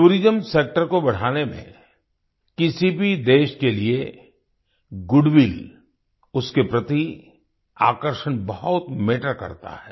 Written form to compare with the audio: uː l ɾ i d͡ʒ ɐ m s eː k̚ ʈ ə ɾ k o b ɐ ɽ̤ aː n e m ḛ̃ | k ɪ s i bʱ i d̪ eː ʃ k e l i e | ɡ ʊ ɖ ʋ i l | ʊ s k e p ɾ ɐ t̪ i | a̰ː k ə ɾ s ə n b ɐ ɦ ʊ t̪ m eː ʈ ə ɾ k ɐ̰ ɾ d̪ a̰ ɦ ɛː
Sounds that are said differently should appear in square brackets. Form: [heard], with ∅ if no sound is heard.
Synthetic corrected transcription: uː [∅] ɾ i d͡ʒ [ə] m s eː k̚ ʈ ə ɾ k o b ɐ ɽ̤ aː n e m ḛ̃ | k ɪ s i bʱ i d̪ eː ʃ k e l i e | ɡ ʊ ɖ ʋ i l | ʊ s k e p ɾ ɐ t̪ i | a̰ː k ə ɾ [ʃ] ə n b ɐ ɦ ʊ t̪ m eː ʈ ə ɾ k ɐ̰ ɾ [t̪] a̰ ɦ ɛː